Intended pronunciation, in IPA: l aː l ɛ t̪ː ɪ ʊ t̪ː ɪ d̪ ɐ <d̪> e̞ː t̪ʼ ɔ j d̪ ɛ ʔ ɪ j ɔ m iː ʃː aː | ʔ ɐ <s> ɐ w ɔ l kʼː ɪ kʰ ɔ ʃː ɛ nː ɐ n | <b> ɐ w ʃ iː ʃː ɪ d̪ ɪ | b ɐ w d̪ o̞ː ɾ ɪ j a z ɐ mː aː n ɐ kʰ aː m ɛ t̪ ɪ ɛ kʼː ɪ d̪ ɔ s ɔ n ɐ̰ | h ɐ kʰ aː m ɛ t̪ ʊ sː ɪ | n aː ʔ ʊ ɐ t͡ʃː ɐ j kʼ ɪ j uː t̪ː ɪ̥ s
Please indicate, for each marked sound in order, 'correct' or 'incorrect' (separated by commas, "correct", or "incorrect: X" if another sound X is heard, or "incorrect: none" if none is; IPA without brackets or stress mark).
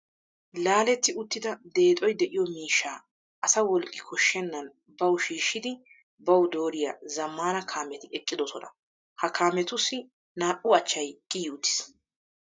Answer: correct, correct, correct